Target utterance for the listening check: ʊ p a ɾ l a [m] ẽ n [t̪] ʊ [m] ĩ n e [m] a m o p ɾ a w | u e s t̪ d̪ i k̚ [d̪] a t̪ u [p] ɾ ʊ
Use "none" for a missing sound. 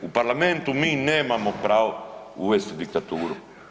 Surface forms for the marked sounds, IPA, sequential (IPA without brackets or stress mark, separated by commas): m, t̪, m, m, t̪, none